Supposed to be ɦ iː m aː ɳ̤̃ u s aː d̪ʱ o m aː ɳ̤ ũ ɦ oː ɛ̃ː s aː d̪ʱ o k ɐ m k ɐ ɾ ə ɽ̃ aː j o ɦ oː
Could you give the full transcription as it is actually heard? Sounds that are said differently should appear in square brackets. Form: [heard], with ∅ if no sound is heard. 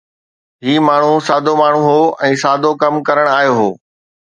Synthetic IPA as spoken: ɦ iː m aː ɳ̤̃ u s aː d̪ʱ o m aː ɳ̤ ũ ɦ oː ɛ̃ː s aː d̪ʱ o k ɐ m k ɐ ɾ ə ɽ̃ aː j o ɦ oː